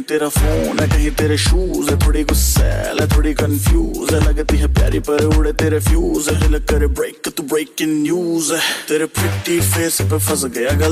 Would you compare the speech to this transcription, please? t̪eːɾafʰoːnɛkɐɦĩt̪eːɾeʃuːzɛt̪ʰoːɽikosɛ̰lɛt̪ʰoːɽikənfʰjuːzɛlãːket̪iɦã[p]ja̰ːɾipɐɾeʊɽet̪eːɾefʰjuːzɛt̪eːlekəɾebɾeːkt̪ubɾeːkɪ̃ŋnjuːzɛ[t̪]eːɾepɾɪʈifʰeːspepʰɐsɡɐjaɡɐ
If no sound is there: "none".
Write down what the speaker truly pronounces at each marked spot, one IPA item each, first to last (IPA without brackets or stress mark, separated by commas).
p, t̪